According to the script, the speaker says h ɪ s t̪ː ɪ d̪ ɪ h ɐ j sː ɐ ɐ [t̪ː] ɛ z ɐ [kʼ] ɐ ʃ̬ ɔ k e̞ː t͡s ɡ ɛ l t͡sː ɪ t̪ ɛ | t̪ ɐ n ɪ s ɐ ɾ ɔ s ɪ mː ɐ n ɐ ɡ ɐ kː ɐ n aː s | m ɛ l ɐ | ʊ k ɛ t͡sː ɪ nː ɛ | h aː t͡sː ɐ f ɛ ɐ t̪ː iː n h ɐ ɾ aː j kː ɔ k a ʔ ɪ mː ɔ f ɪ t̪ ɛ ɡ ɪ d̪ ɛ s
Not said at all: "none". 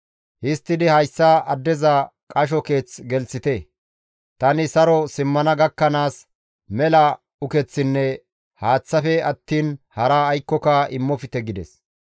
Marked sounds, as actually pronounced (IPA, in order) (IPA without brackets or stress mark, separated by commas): d̪ː, kʼ